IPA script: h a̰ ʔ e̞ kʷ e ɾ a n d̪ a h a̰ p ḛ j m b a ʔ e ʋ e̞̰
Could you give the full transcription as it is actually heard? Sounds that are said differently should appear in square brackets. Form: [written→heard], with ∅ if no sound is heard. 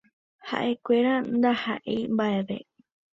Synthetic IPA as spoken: h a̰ ʔ e̞ kʷ e ɾ a n d̪ a h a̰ [p→ʔ] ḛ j m b a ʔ e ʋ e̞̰